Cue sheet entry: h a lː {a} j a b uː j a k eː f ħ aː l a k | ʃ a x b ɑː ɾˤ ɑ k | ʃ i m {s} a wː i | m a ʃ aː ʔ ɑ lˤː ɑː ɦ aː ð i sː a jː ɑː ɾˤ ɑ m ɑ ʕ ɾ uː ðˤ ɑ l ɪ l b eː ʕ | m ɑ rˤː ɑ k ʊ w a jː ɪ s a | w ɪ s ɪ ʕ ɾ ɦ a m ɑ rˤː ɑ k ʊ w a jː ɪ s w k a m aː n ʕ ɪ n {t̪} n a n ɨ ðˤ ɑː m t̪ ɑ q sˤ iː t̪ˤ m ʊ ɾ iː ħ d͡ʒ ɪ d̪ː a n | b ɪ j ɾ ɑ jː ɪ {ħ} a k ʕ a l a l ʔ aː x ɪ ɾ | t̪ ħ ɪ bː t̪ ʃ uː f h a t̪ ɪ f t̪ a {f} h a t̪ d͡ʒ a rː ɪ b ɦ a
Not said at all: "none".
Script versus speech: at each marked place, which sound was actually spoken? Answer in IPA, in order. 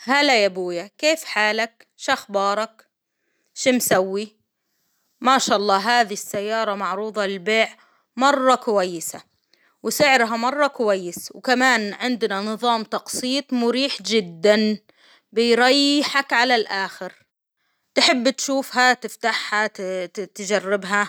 a, s, d̪, ħ, ħ

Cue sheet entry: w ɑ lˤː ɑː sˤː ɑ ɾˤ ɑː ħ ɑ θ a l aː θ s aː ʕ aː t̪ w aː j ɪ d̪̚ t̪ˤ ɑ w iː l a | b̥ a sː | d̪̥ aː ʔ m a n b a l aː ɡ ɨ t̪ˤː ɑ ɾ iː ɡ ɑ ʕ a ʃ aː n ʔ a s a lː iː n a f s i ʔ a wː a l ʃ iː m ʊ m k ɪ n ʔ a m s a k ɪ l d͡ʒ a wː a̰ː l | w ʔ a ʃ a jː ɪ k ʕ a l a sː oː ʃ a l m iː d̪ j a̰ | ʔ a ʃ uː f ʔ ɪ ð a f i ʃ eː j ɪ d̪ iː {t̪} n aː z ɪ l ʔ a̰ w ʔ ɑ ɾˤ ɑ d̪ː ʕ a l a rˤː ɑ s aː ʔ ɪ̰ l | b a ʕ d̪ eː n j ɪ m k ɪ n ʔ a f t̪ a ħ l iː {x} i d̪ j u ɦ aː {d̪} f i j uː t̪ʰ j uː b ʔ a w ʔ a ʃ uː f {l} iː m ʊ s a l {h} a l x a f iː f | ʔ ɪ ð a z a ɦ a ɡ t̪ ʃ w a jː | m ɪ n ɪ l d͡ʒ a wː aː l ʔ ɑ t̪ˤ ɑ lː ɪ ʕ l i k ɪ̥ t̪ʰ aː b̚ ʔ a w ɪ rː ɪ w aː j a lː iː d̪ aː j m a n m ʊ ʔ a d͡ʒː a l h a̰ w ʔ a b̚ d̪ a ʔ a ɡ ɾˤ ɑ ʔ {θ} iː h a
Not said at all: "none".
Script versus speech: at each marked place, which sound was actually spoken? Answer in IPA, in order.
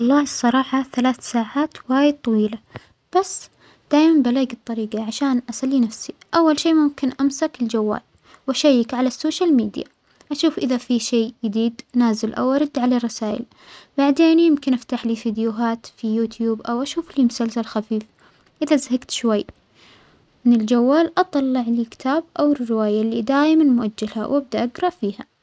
d̪, f, t̪, l, s, f

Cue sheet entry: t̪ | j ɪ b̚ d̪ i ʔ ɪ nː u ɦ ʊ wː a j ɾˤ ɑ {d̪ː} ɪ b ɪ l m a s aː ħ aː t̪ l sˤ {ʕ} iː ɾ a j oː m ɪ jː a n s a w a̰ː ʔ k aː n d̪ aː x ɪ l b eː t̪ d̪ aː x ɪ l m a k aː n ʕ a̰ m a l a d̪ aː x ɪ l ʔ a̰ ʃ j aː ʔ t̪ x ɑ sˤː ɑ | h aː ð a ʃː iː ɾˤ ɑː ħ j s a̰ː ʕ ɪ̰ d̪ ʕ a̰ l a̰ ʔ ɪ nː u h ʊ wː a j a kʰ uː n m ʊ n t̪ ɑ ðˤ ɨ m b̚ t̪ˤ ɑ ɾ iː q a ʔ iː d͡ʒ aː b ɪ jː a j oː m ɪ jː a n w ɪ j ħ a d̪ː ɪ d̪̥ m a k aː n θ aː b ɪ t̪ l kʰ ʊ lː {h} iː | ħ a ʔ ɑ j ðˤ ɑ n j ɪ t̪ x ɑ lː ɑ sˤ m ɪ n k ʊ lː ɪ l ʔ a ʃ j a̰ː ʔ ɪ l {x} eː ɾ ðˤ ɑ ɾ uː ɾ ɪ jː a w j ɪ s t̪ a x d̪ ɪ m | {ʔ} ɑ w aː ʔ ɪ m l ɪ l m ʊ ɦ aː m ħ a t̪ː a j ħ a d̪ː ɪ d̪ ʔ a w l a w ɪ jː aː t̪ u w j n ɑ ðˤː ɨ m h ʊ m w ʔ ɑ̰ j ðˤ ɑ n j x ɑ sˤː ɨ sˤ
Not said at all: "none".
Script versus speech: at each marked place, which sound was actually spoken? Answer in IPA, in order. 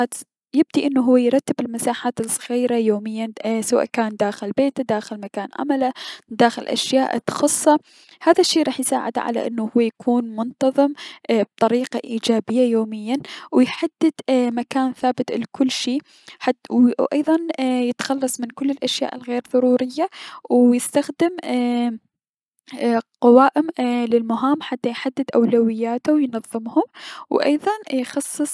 t̪ː, ɣ, ʃ, ɣ, q

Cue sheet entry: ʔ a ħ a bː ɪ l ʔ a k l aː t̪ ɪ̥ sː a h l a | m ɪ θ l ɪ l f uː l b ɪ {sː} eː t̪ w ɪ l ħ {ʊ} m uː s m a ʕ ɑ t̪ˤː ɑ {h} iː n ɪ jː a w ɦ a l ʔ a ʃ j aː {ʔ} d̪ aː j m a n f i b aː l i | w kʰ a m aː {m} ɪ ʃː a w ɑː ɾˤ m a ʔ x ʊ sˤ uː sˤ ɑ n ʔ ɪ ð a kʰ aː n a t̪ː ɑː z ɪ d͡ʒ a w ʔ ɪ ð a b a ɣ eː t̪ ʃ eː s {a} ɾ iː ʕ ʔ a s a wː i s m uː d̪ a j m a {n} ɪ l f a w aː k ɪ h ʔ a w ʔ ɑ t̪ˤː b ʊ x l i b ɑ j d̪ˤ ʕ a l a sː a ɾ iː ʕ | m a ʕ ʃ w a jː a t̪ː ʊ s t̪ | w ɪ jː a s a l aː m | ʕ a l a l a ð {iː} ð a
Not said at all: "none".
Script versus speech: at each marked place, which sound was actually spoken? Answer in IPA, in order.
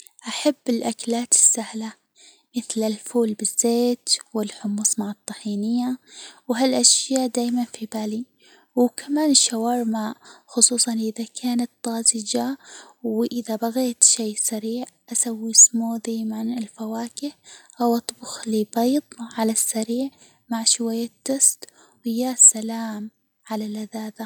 zː, ʊ, ħ, ʔ, n, a, n, aː

